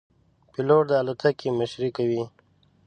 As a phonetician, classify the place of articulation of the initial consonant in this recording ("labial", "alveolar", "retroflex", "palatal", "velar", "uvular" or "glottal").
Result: labial